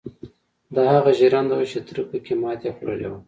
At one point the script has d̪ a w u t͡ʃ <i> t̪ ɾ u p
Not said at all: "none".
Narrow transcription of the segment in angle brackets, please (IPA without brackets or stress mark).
e